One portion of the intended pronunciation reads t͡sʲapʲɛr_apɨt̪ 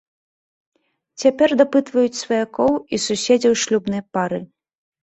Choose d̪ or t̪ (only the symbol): d̪